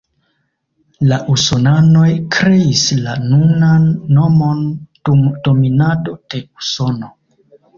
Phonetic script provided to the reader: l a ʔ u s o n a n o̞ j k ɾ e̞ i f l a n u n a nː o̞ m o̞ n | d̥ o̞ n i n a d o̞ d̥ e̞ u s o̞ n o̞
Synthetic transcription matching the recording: l a ʔ u s o n a n o̞ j k ɾ e̞ i s l a n u n a nː o̞ m o̞ n | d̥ o̞ m i n a d o̞ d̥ e̞ u s o̞ n o̞